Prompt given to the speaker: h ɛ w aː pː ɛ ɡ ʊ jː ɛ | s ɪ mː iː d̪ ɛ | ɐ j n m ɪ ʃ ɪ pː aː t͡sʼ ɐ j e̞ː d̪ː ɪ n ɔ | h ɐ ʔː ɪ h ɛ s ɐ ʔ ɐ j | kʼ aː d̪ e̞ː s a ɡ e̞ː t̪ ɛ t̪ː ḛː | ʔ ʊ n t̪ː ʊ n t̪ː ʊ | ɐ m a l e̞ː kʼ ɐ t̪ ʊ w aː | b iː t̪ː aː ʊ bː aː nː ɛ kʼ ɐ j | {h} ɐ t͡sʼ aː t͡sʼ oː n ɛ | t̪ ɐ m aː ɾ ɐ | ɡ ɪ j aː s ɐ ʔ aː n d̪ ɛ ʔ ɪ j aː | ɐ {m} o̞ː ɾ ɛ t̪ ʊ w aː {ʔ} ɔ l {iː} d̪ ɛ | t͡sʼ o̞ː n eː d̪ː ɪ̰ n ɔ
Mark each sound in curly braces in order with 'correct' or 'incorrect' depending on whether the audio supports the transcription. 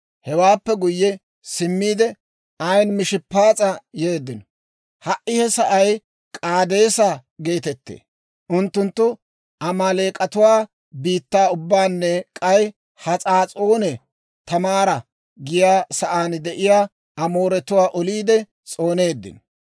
correct, correct, correct, correct

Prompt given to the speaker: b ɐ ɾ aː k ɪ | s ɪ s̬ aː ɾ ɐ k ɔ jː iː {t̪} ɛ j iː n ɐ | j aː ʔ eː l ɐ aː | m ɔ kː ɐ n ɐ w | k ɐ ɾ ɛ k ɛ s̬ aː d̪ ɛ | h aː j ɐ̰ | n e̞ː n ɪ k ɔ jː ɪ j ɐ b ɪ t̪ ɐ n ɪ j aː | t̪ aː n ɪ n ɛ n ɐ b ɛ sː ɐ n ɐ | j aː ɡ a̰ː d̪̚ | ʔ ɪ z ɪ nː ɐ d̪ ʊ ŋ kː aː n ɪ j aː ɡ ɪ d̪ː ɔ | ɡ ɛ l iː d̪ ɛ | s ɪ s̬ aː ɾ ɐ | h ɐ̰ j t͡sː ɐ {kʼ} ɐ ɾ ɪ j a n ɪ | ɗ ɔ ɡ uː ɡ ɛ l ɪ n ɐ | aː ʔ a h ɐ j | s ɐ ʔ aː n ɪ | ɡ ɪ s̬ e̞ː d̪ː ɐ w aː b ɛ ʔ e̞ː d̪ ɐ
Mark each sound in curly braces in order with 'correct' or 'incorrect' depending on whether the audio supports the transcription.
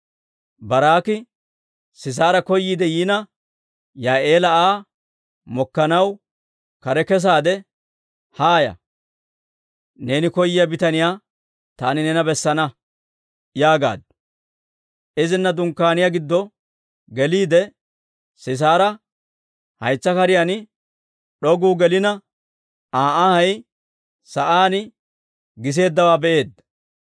incorrect: d̪, incorrect: k

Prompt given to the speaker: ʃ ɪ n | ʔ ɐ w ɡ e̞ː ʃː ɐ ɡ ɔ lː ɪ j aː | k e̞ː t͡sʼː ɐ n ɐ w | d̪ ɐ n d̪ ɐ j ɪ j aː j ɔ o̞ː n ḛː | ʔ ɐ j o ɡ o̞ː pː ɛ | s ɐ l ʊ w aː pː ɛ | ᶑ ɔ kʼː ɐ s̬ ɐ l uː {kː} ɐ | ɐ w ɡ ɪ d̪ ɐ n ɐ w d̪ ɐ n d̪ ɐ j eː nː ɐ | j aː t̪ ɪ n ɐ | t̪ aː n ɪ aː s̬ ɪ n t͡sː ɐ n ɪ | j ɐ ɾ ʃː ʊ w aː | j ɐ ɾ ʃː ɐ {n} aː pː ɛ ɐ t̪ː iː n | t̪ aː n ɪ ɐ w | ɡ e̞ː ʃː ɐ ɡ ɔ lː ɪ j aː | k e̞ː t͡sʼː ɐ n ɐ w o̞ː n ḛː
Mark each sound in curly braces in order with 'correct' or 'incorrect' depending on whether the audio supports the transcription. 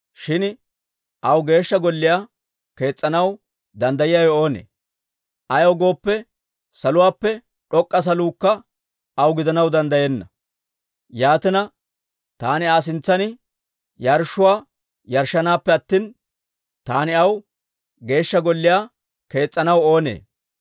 correct, correct

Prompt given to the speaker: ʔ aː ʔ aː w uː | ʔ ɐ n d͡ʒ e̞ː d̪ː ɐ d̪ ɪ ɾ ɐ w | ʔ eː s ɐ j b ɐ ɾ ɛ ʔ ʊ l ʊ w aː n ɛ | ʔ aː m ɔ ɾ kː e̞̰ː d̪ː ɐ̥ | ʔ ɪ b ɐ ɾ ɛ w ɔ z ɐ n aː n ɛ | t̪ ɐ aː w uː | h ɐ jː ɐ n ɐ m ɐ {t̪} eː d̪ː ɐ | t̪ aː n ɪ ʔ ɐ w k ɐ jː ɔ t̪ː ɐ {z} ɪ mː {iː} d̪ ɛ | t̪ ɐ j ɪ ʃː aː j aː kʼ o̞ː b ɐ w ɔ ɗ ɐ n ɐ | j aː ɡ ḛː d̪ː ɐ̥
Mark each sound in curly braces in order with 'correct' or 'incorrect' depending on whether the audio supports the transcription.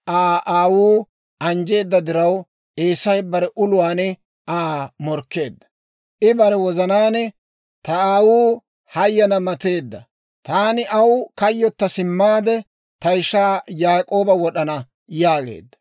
correct, incorrect: s, incorrect: aː

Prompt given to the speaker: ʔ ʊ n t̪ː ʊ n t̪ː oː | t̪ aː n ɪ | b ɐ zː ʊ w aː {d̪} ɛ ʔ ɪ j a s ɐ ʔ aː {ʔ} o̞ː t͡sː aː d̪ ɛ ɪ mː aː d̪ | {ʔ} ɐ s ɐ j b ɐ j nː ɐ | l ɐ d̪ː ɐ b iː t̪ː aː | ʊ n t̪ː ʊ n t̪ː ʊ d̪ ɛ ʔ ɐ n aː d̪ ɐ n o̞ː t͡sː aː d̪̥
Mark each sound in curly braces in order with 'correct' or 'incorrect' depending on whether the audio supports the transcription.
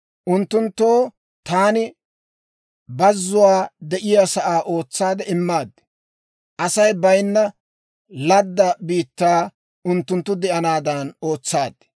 correct, correct, correct

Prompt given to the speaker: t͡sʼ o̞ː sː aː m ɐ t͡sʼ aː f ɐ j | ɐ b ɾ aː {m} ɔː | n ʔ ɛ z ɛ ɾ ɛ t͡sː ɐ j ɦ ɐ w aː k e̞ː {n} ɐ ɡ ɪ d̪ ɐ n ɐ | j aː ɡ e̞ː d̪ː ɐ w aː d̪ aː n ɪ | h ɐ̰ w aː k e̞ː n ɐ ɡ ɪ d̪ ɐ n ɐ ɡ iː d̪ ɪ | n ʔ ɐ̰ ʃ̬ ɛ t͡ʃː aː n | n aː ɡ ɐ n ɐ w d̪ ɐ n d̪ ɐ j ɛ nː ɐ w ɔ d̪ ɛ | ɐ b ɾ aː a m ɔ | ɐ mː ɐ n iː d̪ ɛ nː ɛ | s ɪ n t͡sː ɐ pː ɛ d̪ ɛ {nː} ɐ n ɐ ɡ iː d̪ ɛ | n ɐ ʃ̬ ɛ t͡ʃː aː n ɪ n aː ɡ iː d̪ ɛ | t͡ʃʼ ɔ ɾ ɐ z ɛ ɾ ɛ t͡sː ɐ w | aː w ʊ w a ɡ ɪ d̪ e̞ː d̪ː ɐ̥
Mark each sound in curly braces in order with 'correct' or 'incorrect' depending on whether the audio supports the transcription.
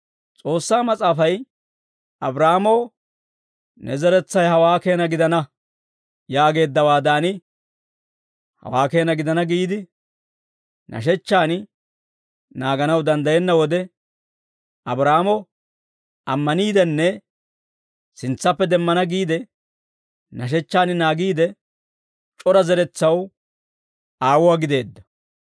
correct, correct, incorrect: mː

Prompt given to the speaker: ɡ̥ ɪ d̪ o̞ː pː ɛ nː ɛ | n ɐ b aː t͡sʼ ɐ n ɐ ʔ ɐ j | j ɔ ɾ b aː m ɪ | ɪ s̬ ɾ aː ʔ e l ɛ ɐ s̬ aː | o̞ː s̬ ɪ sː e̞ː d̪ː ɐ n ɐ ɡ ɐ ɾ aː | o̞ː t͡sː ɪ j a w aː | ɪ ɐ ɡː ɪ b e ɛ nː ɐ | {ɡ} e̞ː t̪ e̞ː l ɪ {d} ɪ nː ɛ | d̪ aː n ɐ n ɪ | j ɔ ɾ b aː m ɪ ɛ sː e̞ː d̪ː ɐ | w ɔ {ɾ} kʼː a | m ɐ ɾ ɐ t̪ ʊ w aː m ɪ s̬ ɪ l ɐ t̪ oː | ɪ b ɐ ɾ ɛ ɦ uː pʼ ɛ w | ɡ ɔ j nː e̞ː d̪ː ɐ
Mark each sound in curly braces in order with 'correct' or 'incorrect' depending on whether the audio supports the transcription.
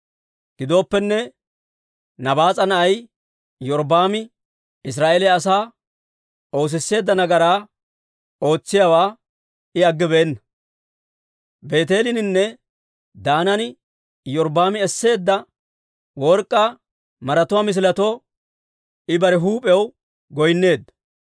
incorrect: b, incorrect: n, correct

